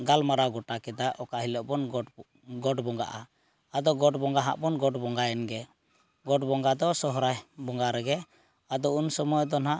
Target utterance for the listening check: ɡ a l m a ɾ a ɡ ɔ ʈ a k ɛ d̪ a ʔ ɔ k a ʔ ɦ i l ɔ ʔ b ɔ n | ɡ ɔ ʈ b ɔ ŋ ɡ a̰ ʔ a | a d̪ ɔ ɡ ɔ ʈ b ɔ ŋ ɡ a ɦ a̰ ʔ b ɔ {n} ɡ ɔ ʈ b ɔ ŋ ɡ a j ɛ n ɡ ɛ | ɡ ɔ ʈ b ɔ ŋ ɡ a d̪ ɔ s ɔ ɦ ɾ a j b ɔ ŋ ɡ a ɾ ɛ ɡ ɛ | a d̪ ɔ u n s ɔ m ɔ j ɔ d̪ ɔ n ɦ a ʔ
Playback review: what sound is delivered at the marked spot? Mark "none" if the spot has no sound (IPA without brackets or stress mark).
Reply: n